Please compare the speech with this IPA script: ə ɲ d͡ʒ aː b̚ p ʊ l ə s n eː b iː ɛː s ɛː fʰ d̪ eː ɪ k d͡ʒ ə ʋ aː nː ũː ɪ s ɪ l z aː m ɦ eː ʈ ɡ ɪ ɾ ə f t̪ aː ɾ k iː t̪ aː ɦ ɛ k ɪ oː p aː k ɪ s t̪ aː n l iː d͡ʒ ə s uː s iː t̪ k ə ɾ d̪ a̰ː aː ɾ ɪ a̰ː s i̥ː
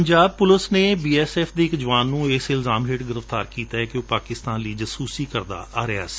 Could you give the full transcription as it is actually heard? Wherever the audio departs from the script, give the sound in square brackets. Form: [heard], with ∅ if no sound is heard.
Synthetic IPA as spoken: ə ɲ d͡ʒ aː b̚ p ʊ l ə s n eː b iː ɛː s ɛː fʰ d̪ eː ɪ k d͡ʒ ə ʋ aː nː ũː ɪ s ɪ l z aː m ɦ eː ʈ ɡ ɪ ɾ ə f t̪ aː ɾ k iː t̪ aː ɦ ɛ k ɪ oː p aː k ɪ s t̪ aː n l iː d͡ʒ ə s uː s iː [∅] k ə ɾ d̪ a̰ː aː ɾ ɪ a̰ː s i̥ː